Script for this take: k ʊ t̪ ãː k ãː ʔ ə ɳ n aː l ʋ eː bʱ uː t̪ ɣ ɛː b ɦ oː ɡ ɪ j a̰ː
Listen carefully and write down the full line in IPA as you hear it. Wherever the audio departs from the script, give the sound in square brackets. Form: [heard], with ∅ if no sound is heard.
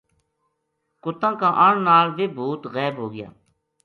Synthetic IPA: k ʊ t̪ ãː k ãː ʔ ə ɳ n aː l ʋ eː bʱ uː t̪ ɣ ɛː b ɦ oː ɡ ɪ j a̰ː